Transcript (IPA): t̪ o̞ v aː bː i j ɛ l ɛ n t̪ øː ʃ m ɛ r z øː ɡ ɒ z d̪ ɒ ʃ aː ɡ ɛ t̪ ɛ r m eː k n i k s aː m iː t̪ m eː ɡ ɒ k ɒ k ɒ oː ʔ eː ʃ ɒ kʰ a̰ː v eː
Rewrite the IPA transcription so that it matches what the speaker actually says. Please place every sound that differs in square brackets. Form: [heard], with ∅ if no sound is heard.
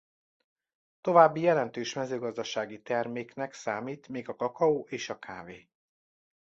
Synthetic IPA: t̪ o̞ v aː bː i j ɛ l ɛ n t̪ øː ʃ m ɛ [∅] z øː ɡ ɒ z d̪ ɒ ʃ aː ɡ [i] t̪ ɛ r m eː k n [ɛ] k s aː m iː t̪ m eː ɡ ɒ k ɒ k ɒ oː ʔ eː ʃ ɒ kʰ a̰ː v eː